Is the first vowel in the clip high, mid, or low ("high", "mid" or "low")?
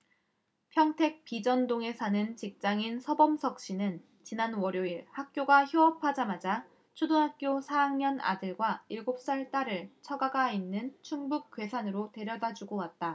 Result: mid